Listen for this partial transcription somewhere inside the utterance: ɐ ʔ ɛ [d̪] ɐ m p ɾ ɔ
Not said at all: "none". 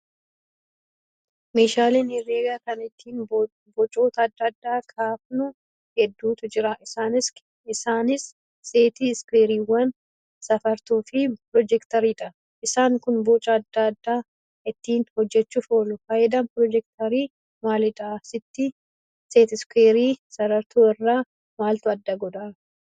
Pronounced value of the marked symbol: d̪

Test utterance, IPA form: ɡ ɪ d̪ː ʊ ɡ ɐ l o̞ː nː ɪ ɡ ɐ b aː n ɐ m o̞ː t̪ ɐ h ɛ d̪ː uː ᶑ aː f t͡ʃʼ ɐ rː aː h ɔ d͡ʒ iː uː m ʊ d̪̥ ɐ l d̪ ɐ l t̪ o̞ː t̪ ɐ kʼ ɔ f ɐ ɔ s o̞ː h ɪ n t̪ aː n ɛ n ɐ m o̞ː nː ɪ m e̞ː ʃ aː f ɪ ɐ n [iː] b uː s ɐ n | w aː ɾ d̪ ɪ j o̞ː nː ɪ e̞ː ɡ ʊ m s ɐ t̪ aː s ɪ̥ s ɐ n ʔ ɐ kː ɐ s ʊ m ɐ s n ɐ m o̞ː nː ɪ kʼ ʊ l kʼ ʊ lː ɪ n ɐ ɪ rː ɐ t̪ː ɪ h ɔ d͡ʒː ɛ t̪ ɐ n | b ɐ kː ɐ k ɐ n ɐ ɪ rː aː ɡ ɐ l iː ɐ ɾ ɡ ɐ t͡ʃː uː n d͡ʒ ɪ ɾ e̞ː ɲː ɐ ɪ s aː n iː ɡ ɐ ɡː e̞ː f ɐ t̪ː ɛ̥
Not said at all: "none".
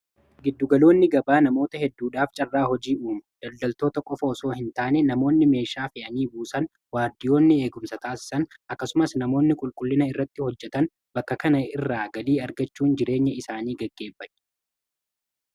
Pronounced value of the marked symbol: iː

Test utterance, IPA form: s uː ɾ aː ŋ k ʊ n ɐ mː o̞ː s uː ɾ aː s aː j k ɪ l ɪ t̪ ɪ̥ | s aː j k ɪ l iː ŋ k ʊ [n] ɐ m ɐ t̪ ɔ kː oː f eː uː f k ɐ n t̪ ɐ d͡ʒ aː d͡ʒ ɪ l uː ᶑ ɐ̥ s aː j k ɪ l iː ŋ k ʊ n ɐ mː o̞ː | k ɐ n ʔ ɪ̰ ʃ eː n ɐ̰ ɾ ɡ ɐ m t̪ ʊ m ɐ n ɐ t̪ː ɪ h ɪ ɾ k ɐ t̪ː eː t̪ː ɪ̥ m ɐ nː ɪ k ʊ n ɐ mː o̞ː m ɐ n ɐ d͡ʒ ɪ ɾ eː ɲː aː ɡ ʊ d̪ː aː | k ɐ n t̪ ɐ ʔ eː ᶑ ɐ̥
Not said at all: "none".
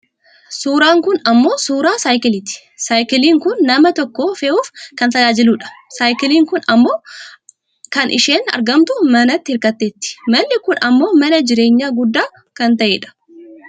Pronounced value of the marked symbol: nː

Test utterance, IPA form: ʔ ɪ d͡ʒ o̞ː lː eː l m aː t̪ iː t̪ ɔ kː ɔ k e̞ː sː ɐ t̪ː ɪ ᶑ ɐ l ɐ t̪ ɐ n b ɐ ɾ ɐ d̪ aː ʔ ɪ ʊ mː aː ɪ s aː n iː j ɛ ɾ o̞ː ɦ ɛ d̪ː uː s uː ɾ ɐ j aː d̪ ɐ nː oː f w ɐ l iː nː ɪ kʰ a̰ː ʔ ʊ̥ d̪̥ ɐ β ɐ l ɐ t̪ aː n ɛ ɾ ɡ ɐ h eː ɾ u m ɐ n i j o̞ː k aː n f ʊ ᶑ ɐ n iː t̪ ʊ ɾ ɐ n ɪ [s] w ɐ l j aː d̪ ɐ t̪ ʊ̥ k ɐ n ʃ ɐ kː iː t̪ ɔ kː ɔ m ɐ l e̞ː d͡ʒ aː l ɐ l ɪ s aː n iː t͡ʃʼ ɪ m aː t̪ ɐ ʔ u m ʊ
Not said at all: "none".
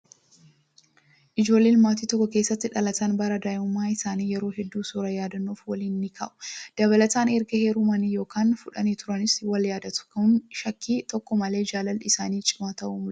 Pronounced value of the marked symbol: s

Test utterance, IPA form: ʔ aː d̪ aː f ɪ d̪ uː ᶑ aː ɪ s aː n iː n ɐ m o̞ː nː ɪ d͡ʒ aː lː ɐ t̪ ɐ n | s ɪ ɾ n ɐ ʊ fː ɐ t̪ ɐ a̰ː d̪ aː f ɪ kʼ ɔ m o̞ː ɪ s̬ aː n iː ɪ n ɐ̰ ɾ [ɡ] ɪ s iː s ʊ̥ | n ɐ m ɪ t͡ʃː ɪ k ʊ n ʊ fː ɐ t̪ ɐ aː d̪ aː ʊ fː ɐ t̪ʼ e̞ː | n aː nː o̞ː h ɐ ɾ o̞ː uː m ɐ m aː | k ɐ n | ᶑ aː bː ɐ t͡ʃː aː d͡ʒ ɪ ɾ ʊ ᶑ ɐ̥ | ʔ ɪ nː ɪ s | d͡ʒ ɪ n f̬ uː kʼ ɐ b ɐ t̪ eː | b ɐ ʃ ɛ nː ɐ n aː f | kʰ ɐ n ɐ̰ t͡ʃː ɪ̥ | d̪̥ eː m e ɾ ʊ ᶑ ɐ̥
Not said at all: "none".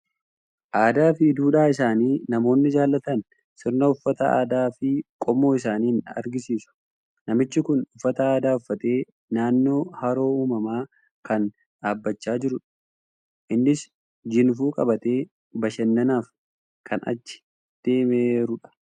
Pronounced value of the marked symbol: ɡ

